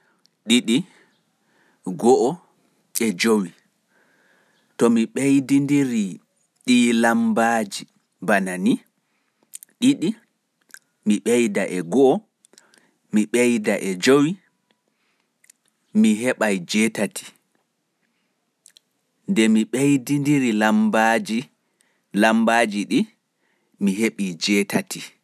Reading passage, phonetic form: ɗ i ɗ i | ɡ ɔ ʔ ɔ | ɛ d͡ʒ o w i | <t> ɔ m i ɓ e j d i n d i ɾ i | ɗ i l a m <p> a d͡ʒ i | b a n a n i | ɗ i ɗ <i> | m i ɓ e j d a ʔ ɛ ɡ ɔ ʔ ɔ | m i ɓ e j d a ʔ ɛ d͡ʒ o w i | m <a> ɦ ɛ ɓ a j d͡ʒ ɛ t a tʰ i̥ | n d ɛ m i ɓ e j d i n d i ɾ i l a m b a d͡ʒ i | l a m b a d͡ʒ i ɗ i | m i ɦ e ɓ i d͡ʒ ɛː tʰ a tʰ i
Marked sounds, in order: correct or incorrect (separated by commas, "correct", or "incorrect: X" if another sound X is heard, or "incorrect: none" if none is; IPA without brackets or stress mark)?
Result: correct, incorrect: b, correct, incorrect: i